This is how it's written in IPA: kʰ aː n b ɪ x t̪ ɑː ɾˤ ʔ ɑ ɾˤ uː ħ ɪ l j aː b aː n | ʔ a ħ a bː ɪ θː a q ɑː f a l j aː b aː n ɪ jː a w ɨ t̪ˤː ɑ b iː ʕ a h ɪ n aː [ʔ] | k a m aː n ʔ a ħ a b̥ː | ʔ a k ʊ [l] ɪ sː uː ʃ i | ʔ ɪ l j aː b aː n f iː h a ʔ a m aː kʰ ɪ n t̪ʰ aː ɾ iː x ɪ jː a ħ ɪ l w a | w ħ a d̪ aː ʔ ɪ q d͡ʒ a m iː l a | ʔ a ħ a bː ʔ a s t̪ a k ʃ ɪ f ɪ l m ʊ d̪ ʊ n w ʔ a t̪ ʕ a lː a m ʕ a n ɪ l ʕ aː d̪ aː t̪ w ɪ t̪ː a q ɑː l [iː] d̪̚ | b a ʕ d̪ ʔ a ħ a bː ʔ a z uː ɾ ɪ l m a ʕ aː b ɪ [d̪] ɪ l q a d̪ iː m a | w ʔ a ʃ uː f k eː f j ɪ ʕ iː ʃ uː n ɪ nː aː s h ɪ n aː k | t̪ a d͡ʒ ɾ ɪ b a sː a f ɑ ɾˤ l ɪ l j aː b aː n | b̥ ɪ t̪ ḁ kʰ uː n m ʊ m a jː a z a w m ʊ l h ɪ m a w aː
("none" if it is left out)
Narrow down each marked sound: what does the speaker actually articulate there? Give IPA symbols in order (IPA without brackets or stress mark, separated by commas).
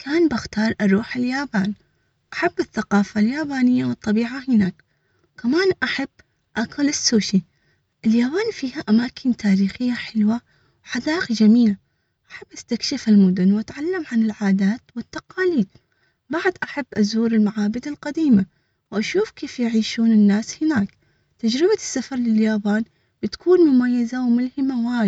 k, l, iː, d̪